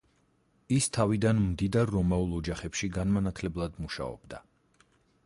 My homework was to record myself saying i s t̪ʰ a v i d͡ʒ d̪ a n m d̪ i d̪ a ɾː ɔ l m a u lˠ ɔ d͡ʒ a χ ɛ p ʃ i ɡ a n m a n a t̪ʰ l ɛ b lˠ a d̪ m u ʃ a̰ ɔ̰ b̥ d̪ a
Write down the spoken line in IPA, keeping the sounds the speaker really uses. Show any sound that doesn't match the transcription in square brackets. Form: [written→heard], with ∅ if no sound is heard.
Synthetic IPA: i s t̪ʰ a v i [d͡ʒ→∅] d̪ a n m d̪ i d̪ a ɾː ɔ [l→∅] m a u lˠ ɔ d͡ʒ a χ ɛ p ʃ i ɡ a n m a n a t̪ʰ l ɛ b lˠ a d̪ m u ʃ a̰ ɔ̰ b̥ d̪ a